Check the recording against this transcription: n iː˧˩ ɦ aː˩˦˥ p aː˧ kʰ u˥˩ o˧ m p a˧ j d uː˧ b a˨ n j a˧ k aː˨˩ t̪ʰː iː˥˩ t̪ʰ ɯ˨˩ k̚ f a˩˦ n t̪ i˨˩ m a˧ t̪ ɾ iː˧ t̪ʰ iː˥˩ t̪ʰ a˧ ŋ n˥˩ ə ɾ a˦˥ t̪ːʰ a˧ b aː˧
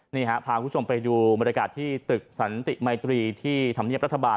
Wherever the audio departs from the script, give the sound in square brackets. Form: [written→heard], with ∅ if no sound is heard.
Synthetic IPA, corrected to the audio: n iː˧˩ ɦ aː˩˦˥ [p→pʰ] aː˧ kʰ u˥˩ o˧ m p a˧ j d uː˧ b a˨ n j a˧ k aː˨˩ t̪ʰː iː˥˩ [t̪ʰ→t̪] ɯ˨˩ k̚ [f→s] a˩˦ n t̪ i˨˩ m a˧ t̪ ɾ iː˧ t̪ʰ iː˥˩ t̪ʰ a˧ [ŋ→m] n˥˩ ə ɾ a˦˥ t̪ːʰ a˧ b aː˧

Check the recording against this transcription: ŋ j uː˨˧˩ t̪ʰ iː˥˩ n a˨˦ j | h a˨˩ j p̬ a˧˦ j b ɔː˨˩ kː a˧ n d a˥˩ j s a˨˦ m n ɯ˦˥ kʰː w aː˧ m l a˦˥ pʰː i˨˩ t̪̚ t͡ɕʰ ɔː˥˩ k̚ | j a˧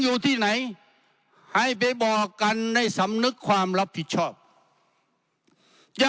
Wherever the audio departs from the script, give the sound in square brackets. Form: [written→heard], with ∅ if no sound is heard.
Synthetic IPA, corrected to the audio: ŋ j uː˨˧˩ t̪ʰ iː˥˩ n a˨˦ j | h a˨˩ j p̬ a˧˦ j b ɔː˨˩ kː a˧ n d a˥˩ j s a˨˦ m n ɯ˦˥ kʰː w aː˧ m l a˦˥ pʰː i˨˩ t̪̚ t͡ɕʰ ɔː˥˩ [k̚→p̚] | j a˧

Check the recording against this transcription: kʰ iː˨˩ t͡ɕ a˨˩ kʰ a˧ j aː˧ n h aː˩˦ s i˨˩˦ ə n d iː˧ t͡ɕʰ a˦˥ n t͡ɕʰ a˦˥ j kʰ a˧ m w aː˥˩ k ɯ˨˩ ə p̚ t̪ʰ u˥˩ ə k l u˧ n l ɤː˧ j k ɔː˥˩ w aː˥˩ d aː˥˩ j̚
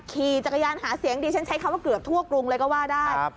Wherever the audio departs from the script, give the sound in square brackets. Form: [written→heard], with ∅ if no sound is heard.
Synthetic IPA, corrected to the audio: kʰ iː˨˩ t͡ɕ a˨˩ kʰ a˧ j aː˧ n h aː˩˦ s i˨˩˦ ə [n→ŋ] d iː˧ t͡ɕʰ a˦˥ n t͡ɕʰ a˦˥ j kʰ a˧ m w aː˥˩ k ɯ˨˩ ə p̚ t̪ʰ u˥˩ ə k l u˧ [n→ŋ] l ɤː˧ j k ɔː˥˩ w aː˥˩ d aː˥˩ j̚

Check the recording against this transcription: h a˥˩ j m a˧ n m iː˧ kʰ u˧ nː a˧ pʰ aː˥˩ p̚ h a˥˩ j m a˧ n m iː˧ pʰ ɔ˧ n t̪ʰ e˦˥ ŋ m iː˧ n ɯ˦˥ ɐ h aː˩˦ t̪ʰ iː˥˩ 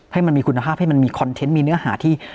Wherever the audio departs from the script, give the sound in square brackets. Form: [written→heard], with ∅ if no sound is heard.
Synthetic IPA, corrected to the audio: h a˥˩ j m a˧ n m iː˧ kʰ u˧ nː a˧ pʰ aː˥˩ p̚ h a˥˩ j m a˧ n m iː˧ [pʰ→kʰ] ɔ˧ n t̪ʰ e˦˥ [ŋ→n] m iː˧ n ɯ˦˥ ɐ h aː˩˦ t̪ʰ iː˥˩

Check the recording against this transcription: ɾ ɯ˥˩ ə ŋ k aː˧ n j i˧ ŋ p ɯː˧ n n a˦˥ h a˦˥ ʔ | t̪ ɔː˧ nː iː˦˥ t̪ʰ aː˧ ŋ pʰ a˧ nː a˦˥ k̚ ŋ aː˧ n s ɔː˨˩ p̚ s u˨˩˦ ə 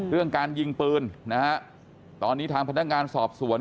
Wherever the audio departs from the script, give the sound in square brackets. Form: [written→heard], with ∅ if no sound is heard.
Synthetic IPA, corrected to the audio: ɾ ɯ˥˩ ə ŋ k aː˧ n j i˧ ŋ p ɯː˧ n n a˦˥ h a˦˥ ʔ | t̪ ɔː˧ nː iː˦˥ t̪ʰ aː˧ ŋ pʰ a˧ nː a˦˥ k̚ ŋ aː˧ n s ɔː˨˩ p̚ s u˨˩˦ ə

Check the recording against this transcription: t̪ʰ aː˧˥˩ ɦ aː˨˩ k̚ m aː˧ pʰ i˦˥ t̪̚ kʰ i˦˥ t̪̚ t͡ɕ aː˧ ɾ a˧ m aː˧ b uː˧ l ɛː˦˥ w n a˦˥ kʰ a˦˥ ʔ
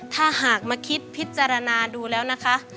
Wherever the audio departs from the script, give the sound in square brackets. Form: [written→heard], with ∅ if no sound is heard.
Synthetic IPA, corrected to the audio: t̪ʰ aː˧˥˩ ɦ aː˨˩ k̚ m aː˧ [pʰ→kʰ] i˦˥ t̪̚ [kʰ→pʰ] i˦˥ t̪̚ t͡ɕ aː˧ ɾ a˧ [m→n] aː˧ [b→d] uː˧ l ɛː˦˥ w n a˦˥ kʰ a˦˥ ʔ

